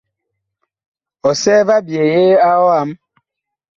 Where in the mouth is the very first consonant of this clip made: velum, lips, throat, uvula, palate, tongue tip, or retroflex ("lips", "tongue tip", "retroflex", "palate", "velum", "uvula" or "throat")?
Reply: tongue tip